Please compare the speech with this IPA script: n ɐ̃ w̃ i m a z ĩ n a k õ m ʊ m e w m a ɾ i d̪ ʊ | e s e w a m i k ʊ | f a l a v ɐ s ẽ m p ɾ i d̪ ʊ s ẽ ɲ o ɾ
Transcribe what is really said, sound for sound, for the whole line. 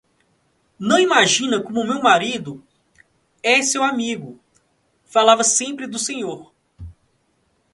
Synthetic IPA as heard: n ɐ̃ w̃ i m a ʒ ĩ n ɐ k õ m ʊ m e w m a ɾ i d̪ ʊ | ɛ s e w a m i ɡ ʊ | f a l a v ɐ s ẽ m p ɾ ɪ d̪ ʊ s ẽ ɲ o ɾ